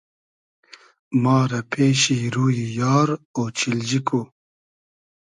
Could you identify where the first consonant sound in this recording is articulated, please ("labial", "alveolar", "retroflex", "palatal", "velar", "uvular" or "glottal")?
labial